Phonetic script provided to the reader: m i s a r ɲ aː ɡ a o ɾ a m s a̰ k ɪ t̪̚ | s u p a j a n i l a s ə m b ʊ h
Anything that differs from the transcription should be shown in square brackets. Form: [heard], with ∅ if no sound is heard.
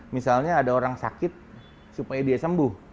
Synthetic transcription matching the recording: m i s a [l] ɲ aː [d] a o ɾ a [ŋ] s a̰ k ɪ t̪̚ | s u p a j a [d] i [∅] a s ə m b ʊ h

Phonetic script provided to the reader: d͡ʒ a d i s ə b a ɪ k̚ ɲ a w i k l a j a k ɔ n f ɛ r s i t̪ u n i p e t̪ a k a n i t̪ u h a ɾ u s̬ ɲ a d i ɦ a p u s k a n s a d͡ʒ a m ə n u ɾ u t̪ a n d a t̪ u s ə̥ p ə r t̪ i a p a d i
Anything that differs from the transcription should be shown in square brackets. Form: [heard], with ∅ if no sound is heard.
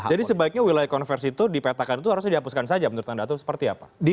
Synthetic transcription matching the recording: d͡ʒ a d i s ə b a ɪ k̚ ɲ a w i [∅] l a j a k ɔ n f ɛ r s i t̪ u [d] i p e t̪ a k a n i t̪ u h a ɾ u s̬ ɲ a d i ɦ a p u s k a n s a d͡ʒ a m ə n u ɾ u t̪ a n d a t̪ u s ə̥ p ə r t̪ i a p a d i

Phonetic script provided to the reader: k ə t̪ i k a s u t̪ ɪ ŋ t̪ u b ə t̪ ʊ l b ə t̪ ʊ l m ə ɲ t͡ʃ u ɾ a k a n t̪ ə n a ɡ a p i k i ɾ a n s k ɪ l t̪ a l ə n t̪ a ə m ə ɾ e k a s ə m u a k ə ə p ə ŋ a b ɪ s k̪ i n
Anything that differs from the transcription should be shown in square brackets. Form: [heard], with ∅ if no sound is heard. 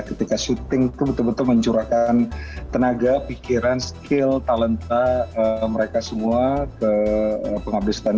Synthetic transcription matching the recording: k ə t̪ i k a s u t̪ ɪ ŋ t̪ u b ə t̪ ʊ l b ə t̪ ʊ l m ə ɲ t͡ʃ u ɾ a k a n t̪ ə n a ɡ a p i k i ɾ a n s k ɪ l t̪ a l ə n t̪ a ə m ə ɾ e k a s ə m u a k ə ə p ə ŋ a b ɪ s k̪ [a] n

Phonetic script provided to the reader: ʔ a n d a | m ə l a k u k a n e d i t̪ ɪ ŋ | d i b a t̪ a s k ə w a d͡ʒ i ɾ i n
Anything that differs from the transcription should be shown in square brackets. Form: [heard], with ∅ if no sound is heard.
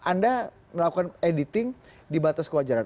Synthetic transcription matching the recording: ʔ a n d a | m ə l a k u k a n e d i t̪ ɪ ŋ | d i b a t̪ a s k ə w a d͡ʒ [a] ɾ [a] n

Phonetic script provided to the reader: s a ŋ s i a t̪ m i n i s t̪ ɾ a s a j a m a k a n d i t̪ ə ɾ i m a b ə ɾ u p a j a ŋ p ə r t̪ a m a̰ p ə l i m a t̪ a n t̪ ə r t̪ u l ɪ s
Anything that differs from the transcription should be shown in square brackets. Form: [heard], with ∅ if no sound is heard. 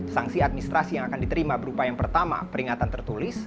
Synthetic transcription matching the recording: s a ŋ s i a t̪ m i n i s t̪ ɾ a s [i] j a [ŋ] a k a n d i t̪ ə ɾ i m a b ə ɾ u p a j a ŋ p ə r t̪ a m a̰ p ə [ɾ] i [ŋ] a t̪ a n t̪ ə r t̪ u l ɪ s

